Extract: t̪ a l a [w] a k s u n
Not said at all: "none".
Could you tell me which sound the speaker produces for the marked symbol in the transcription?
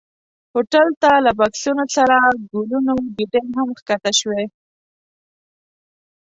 b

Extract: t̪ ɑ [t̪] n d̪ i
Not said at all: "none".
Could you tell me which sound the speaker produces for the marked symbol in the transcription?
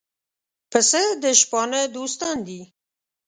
none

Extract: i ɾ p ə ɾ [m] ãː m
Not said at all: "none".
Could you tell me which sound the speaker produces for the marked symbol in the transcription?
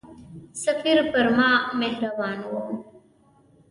m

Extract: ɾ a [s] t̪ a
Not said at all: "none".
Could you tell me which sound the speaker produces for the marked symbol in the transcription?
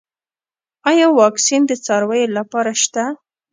ʃ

